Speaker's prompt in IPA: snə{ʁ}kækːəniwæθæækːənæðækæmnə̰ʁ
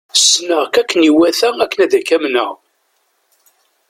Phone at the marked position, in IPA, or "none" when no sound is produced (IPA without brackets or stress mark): ʁ